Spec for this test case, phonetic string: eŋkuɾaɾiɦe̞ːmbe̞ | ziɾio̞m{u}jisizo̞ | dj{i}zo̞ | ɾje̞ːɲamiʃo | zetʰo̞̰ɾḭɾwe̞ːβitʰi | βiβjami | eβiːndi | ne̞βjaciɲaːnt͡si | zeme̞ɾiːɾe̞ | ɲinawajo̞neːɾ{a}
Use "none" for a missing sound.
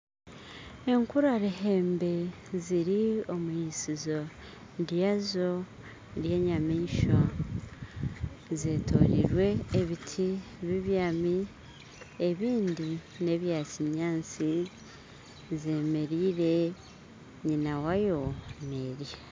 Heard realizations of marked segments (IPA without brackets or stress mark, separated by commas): u, a, i